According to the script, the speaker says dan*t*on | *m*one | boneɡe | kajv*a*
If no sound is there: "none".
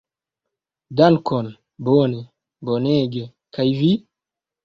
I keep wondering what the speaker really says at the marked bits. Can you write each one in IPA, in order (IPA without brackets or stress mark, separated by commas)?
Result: k, b, i